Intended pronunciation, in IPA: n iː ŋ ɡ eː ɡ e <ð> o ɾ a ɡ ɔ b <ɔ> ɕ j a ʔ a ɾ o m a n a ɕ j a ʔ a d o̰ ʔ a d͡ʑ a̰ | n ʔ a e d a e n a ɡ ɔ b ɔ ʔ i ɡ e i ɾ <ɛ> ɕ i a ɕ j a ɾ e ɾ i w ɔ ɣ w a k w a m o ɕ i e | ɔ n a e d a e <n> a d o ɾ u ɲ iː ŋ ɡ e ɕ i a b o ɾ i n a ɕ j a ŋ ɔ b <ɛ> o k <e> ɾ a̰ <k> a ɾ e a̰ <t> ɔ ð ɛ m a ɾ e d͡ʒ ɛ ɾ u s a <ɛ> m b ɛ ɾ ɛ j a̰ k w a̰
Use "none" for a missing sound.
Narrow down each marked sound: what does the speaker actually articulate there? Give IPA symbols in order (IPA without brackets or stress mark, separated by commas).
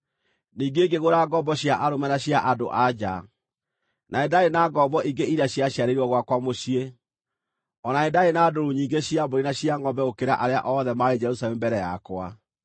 ɣ, ɔ, a, n, ɛ, e, ʔ, ʔ, ɛ